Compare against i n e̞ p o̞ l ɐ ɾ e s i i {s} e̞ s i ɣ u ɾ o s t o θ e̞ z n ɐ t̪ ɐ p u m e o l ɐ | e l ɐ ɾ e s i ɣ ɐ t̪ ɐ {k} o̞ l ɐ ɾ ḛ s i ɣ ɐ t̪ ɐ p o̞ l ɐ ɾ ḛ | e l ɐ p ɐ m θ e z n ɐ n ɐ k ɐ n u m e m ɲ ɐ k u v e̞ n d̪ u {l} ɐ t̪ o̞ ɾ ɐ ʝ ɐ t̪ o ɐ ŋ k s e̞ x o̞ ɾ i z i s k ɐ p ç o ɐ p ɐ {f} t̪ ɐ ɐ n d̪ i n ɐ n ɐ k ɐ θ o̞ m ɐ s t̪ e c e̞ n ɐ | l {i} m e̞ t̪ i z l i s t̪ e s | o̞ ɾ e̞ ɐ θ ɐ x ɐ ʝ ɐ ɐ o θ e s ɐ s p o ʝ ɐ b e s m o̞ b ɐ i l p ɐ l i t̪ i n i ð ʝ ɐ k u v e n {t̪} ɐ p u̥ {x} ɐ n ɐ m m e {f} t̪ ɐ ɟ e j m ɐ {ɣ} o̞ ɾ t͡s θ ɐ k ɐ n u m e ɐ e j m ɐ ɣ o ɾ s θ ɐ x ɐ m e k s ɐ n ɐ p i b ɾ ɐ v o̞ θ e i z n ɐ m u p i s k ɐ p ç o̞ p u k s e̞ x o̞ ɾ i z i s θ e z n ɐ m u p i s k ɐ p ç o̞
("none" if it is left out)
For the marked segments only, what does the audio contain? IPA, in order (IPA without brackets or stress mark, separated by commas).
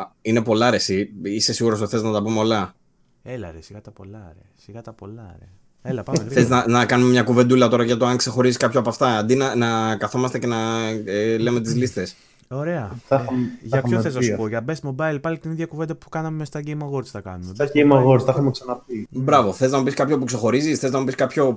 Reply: s, p, l, f, e, d̪, k, s, ɣ